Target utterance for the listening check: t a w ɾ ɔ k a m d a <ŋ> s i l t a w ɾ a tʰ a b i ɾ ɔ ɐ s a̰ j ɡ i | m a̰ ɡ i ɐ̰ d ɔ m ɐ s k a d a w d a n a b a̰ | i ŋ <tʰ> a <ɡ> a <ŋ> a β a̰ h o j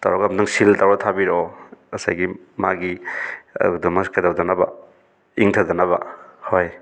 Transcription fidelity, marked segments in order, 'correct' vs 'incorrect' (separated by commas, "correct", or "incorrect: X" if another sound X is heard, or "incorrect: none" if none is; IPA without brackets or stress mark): correct, correct, incorrect: d, incorrect: n